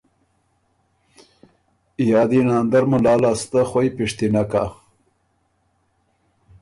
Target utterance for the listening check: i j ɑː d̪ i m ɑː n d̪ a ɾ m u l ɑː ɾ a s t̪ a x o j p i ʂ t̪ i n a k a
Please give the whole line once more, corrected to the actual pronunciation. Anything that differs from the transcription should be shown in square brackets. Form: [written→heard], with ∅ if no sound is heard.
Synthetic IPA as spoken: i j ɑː d̪ i [m→n] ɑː n d̪ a ɾ m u l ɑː [ɾ→l] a s t̪ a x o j p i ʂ t̪ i n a k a